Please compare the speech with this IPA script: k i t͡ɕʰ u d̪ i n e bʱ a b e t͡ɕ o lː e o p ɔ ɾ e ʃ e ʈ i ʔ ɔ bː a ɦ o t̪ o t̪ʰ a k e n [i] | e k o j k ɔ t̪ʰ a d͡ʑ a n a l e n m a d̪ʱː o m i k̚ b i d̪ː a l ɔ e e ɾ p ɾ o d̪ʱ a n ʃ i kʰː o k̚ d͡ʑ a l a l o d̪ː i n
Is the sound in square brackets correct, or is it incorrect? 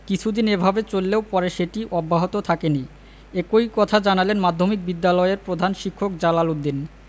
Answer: correct